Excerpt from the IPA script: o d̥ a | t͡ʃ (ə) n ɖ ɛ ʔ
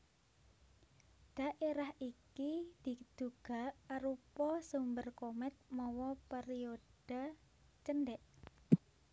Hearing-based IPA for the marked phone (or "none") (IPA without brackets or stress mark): ə